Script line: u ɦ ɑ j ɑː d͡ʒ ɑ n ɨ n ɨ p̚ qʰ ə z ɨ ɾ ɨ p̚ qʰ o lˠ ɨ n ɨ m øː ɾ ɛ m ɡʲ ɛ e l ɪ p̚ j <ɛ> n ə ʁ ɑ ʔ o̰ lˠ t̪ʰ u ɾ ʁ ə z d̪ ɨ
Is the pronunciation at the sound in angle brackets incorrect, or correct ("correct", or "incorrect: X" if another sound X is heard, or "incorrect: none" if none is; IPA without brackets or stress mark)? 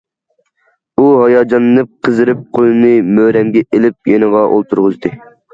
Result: incorrect: e